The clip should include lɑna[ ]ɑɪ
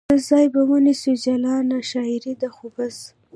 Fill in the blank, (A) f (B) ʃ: B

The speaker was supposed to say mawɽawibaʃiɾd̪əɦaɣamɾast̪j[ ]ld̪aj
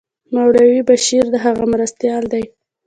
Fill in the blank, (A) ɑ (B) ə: A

